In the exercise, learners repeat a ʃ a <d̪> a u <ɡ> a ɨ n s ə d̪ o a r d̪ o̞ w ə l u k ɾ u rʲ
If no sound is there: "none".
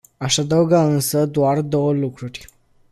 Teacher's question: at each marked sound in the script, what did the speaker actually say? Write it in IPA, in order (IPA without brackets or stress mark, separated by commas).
d̪, ɡ